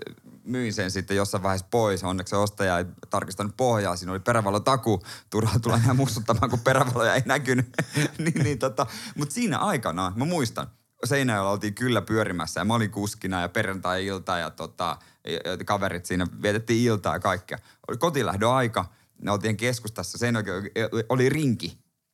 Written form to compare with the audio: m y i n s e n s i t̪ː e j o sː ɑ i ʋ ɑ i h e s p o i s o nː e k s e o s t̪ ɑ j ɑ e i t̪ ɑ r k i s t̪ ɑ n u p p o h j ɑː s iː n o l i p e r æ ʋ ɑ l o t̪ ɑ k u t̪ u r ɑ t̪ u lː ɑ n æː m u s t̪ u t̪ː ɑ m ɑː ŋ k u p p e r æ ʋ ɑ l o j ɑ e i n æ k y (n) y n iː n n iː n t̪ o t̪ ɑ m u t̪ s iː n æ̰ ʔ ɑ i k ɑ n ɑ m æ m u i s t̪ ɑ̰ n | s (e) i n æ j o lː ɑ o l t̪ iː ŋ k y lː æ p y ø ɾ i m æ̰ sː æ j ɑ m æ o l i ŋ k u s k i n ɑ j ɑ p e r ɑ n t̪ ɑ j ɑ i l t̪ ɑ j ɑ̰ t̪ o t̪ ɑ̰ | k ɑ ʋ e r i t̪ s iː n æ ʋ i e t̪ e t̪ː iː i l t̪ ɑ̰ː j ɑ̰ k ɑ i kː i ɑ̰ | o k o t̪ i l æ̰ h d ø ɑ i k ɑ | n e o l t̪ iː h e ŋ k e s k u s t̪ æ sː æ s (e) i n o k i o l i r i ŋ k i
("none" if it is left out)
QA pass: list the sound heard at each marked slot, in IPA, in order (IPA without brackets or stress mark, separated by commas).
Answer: n, e, e